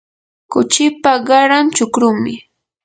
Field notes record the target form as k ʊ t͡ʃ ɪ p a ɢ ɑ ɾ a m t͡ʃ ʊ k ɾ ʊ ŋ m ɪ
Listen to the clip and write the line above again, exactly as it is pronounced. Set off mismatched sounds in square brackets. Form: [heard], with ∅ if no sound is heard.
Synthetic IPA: k ʊ t͡ʃ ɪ p a ɢ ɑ ɾ a m t͡ʃ ʊ k ɾ ʊ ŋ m ɪ